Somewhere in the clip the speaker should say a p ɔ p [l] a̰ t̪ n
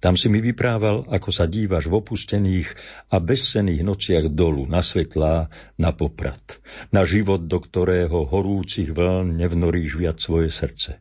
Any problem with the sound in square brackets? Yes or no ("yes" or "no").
yes